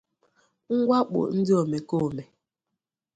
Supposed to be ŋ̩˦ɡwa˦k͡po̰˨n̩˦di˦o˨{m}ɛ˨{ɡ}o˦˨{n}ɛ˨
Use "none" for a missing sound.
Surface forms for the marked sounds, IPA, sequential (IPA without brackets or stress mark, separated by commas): m, k, m